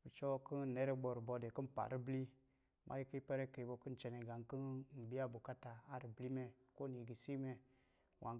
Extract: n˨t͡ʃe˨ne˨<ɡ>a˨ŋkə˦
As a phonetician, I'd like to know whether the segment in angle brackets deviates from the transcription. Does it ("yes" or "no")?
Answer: no